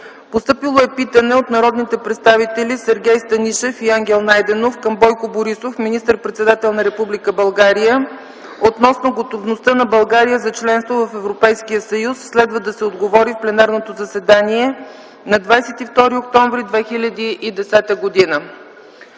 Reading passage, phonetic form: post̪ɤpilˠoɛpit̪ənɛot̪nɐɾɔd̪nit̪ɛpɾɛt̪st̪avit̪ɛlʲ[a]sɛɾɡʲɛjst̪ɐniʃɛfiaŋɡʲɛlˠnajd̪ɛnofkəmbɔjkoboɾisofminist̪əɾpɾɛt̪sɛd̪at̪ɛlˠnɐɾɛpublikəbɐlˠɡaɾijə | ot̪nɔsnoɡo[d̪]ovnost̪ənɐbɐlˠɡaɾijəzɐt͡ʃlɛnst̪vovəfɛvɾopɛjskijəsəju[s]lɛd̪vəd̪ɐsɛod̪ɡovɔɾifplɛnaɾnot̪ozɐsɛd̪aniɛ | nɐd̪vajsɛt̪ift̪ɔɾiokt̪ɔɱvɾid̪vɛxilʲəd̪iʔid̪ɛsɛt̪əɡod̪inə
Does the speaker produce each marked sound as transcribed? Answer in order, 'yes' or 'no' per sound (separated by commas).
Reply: no, no, no